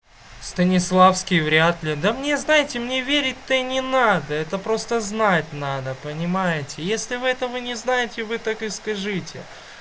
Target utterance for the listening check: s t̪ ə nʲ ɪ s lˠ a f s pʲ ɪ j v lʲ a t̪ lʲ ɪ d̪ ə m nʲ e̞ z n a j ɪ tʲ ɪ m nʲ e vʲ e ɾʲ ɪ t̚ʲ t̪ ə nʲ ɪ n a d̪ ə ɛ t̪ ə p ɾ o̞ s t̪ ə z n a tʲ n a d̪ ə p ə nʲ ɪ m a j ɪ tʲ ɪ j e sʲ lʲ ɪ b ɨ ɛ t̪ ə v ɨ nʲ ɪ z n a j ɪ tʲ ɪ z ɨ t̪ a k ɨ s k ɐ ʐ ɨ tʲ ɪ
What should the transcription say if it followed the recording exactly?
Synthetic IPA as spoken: s t̪ ə nʲ ɪ s lˠ a f s kʲ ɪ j v ɾʲ a t̪ lʲ ɪ d̪ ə m nʲ e̞ z n a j ɪ tʲ ɪ m nʲ e vʲ e ɾʲ ɪ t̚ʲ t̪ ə nʲ ɪ n a d̪ ə ɛ t̪ ə p ɾ o̞ s t̪ ə z n a tʲ n a d̪ ə p ə nʲ ɪ m a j ɪ tʲ ɪ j e sʲ lʲ ɪ v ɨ ɛ t̪ ə v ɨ nʲ ɪ z n a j ɪ tʲ ɪ v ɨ t̪ a k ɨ s k ɐ ʐ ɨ tʲ ɪ